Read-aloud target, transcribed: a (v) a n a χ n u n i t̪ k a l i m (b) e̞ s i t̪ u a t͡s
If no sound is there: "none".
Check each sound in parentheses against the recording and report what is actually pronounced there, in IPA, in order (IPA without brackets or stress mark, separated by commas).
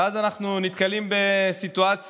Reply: z, b